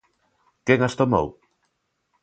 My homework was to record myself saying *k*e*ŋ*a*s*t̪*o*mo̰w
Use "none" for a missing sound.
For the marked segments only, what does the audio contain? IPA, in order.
k, ŋ, s, o

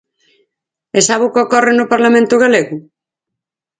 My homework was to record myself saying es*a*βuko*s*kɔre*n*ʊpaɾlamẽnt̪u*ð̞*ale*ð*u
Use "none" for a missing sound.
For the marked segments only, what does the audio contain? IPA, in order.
a, none, n, ɣ̞, ɣ

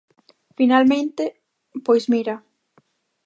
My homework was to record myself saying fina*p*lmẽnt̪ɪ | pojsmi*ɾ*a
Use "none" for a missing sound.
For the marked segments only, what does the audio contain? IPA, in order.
none, ɾ

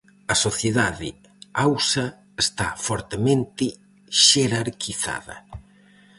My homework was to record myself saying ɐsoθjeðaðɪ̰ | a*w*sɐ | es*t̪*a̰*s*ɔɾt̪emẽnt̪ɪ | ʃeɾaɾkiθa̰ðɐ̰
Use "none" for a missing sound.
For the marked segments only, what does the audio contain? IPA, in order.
w, t̪, f

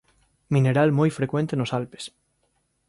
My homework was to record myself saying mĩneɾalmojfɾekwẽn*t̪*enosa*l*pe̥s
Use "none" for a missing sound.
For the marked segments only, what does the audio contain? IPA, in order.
t̪, l

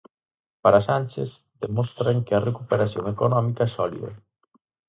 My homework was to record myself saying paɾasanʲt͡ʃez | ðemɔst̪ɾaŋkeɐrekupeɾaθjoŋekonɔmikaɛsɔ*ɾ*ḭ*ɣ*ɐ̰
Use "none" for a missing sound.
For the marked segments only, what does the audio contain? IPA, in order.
l, ð

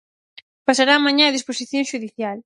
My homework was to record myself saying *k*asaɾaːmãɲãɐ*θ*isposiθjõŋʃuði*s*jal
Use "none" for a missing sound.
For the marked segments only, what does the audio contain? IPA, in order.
p, ð, θ

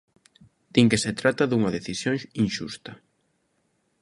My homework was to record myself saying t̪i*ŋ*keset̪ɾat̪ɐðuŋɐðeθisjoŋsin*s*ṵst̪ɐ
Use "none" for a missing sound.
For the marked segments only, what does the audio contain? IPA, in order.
ŋ, ʃ

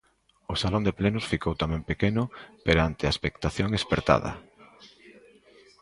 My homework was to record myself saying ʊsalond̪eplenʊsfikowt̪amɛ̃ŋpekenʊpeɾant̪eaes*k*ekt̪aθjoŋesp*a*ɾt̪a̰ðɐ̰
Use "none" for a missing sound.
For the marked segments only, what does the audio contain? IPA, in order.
p, e

